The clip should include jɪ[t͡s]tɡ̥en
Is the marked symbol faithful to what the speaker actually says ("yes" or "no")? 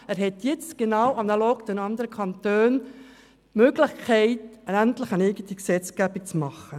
yes